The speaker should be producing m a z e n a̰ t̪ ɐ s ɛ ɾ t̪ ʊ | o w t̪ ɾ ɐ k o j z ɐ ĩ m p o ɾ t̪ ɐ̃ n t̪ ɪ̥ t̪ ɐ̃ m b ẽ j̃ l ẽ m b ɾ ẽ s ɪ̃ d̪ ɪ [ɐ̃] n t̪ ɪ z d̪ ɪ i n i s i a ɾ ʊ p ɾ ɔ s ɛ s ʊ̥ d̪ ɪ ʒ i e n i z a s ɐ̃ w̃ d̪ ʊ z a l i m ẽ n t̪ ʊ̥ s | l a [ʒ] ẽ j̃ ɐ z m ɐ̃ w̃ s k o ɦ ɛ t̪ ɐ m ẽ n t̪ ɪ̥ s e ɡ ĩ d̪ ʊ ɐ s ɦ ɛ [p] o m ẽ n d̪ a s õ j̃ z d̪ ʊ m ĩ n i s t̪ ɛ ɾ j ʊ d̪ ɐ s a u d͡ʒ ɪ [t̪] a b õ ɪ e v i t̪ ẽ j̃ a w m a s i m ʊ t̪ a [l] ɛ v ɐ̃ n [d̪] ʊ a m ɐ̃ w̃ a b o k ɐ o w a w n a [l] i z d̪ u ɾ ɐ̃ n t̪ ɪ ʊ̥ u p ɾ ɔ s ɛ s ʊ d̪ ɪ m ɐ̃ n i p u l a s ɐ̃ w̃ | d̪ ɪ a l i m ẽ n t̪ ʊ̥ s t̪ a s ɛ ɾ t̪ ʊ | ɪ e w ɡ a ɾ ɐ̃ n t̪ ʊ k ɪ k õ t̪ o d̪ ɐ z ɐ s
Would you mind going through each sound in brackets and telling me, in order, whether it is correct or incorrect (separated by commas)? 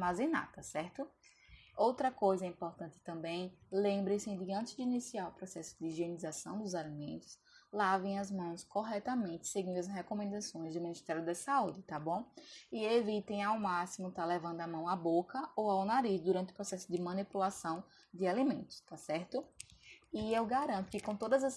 correct, incorrect, incorrect, correct, correct, correct, incorrect